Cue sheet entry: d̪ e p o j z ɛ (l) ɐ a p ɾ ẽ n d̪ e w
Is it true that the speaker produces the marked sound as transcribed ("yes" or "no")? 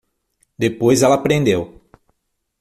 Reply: yes